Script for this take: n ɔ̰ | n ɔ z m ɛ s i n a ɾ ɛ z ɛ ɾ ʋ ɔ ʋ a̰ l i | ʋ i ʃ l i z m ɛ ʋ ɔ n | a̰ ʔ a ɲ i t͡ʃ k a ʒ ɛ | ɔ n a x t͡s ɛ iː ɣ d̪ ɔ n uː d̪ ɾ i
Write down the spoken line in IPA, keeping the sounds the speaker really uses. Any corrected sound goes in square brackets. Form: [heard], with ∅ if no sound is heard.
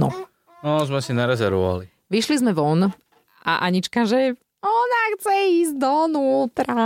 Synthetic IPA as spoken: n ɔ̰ | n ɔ z m ɛ s i n a ɾ ɛ z ɛ ɾ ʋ ɔ ʋ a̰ l i | ʋ i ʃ l i z m ɛ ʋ ɔ n | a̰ ʔ a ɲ i t͡ʃ k a ʒ ɛ | ɔ n a x t͡s ɛ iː [z] d̪ ɔ n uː [t̪] ɾ [a]